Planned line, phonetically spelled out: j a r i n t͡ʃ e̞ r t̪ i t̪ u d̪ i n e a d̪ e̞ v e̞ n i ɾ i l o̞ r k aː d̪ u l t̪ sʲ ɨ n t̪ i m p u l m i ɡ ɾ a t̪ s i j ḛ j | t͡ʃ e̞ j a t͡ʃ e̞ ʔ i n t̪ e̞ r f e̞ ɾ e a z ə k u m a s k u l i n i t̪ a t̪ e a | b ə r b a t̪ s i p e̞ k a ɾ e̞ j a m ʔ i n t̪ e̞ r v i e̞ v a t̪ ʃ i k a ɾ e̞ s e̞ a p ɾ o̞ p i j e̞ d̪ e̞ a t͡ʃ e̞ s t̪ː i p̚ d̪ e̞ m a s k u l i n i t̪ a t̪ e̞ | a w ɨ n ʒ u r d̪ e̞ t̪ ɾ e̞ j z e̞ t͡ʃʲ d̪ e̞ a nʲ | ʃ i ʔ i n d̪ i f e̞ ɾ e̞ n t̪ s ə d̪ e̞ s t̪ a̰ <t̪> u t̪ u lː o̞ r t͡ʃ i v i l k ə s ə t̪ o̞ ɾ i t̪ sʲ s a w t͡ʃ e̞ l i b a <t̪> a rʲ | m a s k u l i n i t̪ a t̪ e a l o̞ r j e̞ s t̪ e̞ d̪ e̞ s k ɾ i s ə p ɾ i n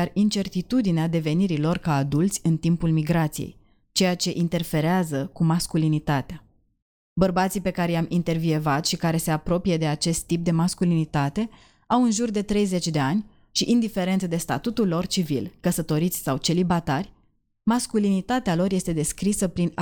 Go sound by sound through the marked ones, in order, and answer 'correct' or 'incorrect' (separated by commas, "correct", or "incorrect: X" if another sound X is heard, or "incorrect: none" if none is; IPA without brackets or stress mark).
correct, correct